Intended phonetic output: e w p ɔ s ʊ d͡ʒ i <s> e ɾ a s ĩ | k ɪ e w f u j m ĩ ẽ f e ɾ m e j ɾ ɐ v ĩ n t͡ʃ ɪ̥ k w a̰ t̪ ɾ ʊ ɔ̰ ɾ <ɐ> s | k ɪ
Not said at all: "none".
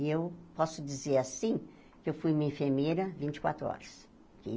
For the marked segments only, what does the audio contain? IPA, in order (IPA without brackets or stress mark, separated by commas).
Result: z, ɐ